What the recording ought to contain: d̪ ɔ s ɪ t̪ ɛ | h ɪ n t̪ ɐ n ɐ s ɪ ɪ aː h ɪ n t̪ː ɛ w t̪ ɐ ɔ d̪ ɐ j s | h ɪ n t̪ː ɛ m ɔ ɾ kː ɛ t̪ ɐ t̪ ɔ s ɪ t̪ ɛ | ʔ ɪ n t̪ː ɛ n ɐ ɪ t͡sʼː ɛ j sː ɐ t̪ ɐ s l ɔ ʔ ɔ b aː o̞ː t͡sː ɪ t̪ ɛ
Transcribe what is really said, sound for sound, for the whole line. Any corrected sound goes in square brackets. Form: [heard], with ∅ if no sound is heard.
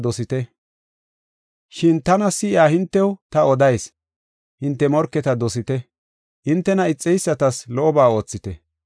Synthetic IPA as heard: d̪ ɔ s ɪ t̪ ɛ | [ʃ] ɪ n t̪ ɐ n ɐ s ɪ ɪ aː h ɪ n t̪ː ɛ w t̪ ɐ ɔ d̪ ɐ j s | h ɪ n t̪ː ɛ m ɔ ɾ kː ɛ t̪ ɐ [d̪] ɔ s ɪ t̪ ɛ | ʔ ɪ n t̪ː ɛ n ɐ ɪ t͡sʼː ɛ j sː ɐ t̪ ɐ s l ɔ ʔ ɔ b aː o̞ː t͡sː ɪ t̪ ɛ